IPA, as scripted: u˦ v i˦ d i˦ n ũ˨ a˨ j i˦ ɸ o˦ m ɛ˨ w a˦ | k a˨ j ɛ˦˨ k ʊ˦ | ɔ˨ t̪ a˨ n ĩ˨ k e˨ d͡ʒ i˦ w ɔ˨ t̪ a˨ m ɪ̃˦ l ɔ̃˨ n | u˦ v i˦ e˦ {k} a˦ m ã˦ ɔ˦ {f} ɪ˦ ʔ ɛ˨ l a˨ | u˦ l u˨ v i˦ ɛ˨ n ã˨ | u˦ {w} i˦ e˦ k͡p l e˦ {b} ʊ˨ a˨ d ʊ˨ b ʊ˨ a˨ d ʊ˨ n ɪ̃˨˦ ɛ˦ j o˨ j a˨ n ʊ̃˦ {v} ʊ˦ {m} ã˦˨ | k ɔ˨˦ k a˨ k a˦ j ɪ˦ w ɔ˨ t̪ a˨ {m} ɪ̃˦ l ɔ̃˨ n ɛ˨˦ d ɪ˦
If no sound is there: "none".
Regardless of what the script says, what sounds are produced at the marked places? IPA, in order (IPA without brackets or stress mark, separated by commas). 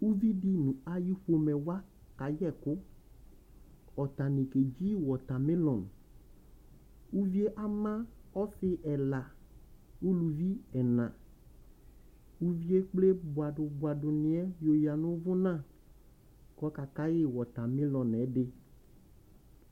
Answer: ʔ, s, v, b, v, n, m